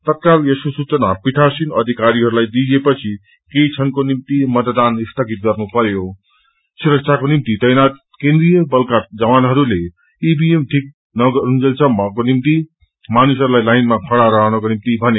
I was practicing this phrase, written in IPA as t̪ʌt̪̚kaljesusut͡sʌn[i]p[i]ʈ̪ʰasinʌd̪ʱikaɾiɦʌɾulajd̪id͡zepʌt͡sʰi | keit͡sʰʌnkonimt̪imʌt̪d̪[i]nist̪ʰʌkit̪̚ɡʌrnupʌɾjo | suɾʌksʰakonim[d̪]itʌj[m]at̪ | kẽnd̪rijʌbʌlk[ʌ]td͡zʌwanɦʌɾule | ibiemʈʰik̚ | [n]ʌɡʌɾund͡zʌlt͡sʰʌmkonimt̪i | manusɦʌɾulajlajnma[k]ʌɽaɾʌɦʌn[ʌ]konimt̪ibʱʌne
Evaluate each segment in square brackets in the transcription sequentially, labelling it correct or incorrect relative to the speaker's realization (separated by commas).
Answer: incorrect, correct, incorrect, incorrect, incorrect, incorrect, correct, incorrect, correct